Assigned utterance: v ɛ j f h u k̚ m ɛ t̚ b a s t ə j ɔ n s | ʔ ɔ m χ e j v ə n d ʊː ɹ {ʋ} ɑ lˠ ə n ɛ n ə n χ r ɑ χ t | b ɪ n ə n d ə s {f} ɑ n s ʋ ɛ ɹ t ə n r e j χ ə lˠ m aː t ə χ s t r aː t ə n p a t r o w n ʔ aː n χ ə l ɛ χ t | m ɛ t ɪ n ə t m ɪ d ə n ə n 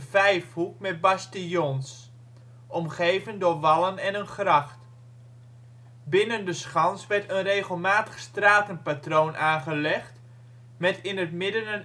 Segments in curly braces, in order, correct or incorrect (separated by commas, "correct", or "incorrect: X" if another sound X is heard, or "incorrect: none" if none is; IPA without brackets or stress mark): correct, incorrect: χ